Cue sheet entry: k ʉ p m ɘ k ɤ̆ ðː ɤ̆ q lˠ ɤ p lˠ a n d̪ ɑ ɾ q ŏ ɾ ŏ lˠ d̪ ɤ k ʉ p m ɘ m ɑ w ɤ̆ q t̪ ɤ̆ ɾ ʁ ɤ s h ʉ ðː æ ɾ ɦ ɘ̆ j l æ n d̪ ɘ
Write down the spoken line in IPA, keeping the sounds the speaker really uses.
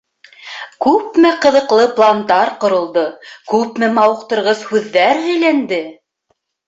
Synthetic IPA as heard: k ʉ p m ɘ q ɤ̆ ð ɤ̆ q lˠ ɤ p lˠ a n d̪ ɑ ɾ q ŏ ɾ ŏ lˠ d̪ ɤ k ʉ p m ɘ m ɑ w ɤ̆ q t̪ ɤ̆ ɾ ʁ ɤ s h ʉ ðː æ ɾ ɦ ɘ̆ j l æ n d̪ ɘ